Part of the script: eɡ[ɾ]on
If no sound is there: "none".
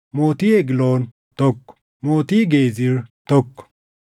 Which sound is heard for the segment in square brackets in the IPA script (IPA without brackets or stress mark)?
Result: l